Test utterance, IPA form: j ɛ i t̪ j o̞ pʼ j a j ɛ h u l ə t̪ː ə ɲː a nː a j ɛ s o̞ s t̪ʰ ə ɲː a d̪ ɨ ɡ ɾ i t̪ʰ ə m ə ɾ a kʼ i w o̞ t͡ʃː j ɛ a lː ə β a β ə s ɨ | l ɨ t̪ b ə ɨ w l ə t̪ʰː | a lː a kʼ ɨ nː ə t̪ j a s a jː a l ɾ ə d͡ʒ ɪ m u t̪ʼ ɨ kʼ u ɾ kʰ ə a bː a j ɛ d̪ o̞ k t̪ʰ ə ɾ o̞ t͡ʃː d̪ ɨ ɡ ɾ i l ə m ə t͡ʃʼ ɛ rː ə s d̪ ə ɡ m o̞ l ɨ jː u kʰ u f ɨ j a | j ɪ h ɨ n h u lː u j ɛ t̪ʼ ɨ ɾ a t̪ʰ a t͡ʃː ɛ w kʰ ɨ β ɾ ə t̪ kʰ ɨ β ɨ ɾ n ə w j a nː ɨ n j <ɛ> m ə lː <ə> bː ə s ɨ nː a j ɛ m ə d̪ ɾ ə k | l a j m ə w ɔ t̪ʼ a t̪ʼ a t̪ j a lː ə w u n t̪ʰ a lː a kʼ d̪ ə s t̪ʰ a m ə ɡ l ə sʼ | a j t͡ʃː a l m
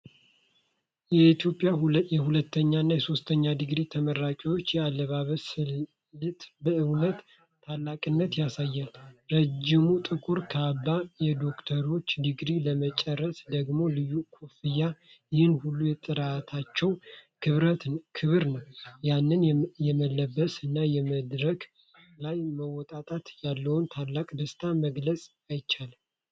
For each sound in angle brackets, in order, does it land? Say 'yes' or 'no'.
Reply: yes, yes

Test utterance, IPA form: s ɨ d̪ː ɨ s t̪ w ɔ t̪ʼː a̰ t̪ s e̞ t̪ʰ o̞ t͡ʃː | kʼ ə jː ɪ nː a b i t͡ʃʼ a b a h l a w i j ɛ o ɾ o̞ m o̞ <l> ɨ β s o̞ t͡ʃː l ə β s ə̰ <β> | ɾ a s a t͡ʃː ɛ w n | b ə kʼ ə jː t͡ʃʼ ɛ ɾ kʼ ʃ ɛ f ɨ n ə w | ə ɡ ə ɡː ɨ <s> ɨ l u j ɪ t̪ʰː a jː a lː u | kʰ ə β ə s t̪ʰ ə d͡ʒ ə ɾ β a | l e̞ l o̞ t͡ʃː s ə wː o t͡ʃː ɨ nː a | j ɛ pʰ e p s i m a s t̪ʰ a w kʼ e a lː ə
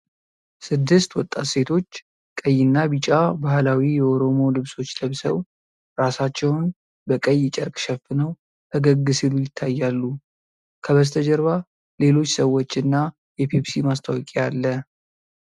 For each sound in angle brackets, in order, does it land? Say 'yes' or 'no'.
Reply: yes, no, yes

